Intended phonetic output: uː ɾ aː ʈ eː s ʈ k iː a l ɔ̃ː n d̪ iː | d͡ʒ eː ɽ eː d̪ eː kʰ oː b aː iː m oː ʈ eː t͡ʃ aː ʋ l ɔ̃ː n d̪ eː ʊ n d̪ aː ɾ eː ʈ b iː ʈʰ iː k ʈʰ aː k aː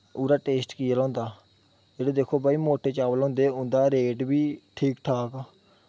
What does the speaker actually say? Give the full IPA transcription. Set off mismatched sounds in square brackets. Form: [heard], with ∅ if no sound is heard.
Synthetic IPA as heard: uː ɾ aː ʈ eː s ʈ k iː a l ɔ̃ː n d̪ [aː] | d͡ʒ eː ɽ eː d̪ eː kʰ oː b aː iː m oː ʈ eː t͡ʃ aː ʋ l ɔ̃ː n d̪ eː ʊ n d̪ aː ɾ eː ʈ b iː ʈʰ iː k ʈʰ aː k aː